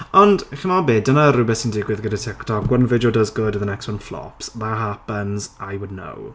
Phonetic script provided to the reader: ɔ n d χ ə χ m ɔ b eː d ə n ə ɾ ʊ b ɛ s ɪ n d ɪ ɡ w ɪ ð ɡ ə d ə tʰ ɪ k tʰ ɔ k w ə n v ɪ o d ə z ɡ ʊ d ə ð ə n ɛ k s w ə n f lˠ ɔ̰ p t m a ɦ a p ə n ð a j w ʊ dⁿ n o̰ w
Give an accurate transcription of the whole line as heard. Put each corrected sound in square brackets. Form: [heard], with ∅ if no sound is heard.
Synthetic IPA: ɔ n d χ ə [∅] m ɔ b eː d ə n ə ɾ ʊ b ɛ s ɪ n d ɪ ɡ w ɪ ð ɡ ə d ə tʰ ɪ k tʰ ɔ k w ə n v ɪ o d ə z ɡ ʊ d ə ð ə n ɛ k s w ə n f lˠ ɔ̰ p [s] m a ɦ a p ə n [z] a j w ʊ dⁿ n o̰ w